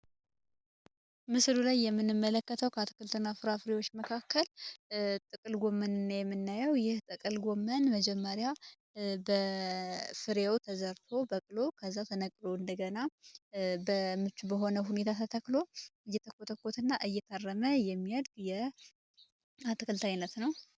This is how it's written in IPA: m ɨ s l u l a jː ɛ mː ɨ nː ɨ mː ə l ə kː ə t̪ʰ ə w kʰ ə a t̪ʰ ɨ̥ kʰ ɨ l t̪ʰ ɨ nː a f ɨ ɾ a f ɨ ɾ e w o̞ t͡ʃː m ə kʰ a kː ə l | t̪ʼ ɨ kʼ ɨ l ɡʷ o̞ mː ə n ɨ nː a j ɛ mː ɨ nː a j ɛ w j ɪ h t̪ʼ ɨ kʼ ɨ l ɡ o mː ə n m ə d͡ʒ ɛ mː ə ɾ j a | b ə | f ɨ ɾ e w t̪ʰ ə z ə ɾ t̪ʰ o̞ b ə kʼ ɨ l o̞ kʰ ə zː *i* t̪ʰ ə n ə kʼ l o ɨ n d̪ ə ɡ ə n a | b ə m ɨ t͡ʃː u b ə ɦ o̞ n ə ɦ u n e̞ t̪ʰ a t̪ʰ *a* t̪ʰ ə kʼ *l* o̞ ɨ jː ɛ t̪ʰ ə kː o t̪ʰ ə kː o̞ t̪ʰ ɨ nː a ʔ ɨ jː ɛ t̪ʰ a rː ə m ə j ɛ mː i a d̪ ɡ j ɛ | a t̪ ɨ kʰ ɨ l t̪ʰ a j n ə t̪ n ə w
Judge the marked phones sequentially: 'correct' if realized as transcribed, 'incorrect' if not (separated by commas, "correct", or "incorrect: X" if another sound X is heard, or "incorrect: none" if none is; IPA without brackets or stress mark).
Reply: incorrect: a, incorrect: ə, correct